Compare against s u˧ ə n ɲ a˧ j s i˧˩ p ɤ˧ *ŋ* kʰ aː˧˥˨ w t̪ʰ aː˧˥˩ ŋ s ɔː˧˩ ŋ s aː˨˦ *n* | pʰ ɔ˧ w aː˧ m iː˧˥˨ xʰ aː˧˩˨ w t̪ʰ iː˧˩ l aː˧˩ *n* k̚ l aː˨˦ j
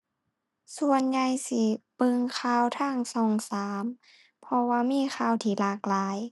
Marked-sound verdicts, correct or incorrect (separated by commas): correct, incorrect, incorrect